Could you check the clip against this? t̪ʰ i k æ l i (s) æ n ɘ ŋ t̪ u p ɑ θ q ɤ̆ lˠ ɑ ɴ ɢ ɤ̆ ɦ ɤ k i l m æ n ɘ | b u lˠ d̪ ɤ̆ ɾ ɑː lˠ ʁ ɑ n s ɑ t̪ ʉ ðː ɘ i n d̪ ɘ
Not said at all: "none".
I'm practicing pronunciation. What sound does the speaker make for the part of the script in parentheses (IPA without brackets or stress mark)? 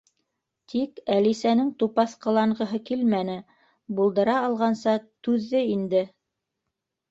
s